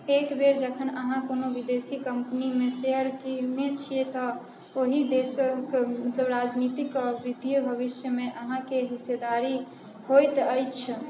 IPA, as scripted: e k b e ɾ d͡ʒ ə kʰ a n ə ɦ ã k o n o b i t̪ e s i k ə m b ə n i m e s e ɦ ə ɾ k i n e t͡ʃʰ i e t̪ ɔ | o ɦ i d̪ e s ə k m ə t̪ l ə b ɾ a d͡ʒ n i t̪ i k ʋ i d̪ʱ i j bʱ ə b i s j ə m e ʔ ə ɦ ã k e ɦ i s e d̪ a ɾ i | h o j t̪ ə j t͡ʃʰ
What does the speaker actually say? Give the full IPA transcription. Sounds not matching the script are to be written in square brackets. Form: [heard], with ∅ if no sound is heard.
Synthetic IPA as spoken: e k b e ɾ d͡ʒ ə kʰ [ə] n ə ɦ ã k o n o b i [d̪] e s i k ə m [p] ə n i m e s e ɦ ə ɾ k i n e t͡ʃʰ i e t̪ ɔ | o ɦ i d̪ e s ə k m ə t̪ l ə b ɾ a d͡ʒ n i t̪ i k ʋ i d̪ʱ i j bʱ ə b i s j ə m e ʔ ə ɦ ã k e ɦ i s e d̪ a ɾ i | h o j t̪ ə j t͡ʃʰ